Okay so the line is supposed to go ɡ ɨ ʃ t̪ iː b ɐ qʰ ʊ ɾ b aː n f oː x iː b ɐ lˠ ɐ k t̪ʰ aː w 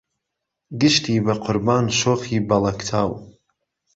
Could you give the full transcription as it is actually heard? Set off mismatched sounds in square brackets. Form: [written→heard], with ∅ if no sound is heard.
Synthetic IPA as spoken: ɡ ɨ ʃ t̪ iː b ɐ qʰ ʊ ɾ b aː n [f→ʃ] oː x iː b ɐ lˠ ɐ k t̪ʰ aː w